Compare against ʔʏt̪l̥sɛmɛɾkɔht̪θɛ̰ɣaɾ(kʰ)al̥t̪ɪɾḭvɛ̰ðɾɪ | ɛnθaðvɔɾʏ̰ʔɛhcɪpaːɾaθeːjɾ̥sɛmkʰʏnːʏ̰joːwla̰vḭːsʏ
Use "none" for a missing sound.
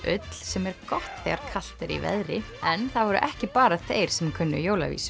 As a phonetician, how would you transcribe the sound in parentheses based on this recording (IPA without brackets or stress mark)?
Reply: kʰ